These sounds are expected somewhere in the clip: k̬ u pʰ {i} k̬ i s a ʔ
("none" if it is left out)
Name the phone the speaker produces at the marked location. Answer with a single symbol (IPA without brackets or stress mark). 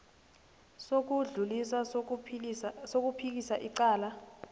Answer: i